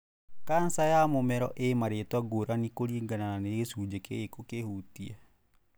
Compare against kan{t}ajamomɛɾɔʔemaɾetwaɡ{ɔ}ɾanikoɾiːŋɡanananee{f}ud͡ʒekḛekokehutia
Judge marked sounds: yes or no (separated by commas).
no, no, no